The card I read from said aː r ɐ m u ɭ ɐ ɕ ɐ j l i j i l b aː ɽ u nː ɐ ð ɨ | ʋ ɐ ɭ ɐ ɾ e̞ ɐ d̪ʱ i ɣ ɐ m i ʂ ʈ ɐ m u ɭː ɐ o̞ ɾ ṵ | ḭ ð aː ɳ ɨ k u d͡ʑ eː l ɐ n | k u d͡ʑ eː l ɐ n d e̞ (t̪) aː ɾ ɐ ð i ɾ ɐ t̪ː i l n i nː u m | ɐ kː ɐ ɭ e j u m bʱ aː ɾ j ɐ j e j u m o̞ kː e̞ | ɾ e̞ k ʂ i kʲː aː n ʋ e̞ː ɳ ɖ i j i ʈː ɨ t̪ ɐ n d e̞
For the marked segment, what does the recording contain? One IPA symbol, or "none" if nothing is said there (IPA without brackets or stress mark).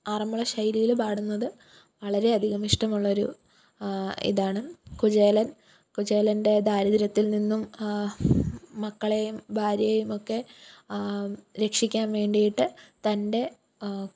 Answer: d̪